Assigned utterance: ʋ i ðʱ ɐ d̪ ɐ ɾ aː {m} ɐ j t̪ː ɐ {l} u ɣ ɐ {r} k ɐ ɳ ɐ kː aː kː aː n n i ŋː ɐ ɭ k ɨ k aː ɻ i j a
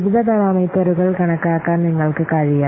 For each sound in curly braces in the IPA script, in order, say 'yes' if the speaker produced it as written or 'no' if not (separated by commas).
yes, no, no